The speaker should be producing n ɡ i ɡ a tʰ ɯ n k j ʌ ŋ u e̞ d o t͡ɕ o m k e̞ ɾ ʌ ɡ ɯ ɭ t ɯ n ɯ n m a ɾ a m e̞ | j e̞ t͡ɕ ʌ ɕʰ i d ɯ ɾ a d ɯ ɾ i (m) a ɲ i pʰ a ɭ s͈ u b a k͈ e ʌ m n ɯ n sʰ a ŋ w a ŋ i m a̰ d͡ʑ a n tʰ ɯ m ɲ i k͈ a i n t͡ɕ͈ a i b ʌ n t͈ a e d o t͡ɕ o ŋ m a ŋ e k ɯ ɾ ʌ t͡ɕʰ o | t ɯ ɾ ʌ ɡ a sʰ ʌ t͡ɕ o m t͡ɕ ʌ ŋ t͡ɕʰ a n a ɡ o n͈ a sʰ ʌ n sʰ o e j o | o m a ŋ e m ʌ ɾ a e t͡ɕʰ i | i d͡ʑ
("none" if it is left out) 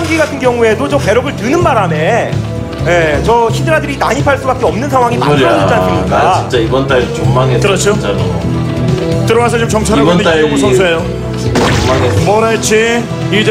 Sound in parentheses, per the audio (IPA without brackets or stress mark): n